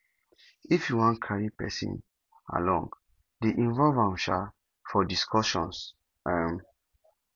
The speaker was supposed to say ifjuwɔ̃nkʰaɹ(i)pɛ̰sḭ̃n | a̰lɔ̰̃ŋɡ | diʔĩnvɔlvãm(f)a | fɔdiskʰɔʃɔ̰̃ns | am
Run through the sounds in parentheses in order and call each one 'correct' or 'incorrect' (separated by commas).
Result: correct, incorrect